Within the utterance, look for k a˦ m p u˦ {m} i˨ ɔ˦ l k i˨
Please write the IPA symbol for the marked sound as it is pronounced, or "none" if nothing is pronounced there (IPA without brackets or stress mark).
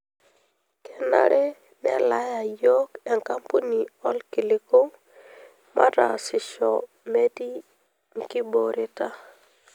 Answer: n